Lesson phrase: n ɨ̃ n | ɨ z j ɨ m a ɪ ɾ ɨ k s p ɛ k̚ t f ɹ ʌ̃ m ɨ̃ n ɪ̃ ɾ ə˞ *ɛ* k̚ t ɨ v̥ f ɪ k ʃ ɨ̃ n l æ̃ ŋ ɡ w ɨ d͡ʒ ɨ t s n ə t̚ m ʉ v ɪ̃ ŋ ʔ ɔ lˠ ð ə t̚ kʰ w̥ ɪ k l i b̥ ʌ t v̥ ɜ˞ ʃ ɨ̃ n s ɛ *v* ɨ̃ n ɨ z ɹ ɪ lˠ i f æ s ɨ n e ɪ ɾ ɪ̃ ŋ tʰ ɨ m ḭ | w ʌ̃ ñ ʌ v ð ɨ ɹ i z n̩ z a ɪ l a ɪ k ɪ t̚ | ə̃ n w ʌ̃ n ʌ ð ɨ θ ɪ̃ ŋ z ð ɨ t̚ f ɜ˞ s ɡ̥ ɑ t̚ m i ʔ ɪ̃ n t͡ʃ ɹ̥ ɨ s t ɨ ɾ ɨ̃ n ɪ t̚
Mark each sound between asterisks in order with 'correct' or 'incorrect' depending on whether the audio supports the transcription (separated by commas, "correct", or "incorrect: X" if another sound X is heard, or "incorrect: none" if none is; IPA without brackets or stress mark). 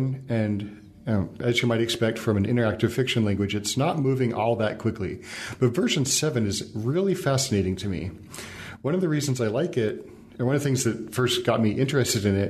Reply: incorrect: æ, correct